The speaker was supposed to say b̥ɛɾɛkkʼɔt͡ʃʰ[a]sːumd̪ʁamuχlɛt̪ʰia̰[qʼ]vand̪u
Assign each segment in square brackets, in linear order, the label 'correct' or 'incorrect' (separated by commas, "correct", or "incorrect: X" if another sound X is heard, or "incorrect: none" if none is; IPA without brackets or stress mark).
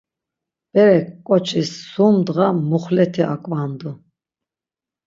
incorrect: i, incorrect: kʼ